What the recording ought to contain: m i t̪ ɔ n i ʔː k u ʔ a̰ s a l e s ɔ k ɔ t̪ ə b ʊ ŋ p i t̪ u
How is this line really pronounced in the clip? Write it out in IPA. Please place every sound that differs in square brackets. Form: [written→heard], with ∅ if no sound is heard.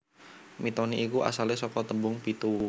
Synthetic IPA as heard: m i t̪ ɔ n i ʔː k u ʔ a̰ s a l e s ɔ k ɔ t̪ ə b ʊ ŋ p i t̪ u